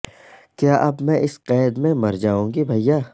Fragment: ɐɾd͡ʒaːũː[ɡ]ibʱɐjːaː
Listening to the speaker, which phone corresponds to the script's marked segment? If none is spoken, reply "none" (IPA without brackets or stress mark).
ɡ